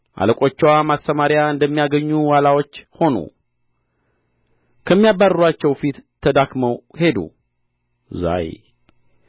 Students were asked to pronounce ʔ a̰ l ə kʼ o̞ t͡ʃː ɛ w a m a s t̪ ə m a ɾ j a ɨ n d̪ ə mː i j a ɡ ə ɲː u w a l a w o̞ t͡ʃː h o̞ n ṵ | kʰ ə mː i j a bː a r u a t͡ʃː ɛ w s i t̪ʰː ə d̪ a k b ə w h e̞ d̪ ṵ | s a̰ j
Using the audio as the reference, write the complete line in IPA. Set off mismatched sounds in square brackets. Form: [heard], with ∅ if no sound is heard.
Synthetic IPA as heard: ʔ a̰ l ə kʼ o̞ t͡ʃː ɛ w a m a s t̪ ə m a ɾ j a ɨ n d̪ ə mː i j a ɡ ə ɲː u w a l a w o̞ t͡ʃː h o̞ n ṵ | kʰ ə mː i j a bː a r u a t͡ʃː ɛ w [f] i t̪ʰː ə d̪ a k [m] ə w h e̞ d̪ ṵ | [z] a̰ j